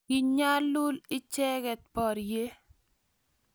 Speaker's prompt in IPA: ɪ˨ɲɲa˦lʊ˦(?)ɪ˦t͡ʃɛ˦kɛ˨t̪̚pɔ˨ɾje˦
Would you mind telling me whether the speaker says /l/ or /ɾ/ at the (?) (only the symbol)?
l